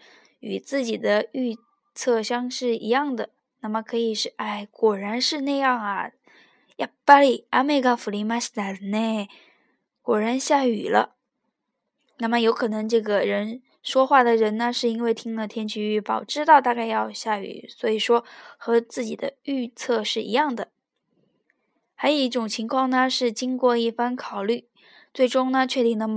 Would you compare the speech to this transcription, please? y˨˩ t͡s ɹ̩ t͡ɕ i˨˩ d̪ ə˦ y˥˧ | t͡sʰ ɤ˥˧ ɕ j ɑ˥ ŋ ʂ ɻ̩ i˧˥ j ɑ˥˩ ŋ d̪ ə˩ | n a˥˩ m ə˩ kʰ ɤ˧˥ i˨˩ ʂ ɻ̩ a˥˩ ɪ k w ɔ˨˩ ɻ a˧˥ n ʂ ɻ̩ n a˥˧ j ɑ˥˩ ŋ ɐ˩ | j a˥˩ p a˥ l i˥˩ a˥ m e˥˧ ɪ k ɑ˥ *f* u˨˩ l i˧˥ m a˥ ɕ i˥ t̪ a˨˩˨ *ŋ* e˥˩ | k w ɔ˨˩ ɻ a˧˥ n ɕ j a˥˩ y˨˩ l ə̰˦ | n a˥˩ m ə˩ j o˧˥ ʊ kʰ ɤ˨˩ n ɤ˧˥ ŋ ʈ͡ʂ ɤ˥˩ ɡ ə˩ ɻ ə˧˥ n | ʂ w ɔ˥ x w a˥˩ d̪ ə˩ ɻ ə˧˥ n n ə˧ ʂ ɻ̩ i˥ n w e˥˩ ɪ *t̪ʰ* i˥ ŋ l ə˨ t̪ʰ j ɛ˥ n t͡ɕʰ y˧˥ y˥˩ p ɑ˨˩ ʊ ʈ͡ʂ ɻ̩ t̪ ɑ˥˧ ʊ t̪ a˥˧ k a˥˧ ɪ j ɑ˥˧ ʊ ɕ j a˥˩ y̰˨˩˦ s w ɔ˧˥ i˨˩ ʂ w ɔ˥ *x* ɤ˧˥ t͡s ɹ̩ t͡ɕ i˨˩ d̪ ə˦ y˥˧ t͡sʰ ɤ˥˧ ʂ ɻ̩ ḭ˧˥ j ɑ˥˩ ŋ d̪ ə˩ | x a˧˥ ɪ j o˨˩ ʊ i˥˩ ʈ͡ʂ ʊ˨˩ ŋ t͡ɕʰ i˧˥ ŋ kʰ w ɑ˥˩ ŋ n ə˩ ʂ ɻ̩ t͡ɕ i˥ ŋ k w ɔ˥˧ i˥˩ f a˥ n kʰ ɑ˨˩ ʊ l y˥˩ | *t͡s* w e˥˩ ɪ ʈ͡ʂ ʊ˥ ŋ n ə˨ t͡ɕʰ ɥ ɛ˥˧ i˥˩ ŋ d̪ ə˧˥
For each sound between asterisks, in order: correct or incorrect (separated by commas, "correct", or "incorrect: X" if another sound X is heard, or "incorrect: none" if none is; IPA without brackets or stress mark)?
correct, incorrect: n, correct, correct, correct